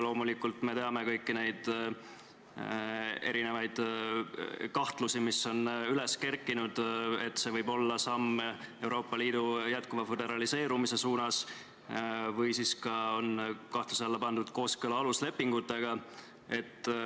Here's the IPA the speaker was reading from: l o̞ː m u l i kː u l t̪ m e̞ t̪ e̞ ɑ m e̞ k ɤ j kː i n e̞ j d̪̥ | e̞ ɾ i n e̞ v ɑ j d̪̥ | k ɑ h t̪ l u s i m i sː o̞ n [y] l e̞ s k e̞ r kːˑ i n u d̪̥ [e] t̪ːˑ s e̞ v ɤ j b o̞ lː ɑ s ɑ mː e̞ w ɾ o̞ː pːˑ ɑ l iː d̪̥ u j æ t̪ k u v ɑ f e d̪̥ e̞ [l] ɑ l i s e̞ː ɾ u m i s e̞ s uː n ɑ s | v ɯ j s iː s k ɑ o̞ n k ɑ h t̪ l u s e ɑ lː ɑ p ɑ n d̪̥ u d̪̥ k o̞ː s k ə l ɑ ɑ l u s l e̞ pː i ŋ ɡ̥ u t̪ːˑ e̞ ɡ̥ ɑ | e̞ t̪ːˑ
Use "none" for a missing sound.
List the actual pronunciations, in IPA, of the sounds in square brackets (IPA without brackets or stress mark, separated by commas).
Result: y, e, ɾ